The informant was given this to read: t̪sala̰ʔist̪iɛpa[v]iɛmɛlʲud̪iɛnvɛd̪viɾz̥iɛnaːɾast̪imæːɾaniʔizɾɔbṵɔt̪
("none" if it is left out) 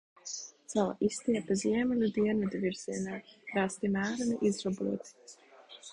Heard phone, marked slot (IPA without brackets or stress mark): z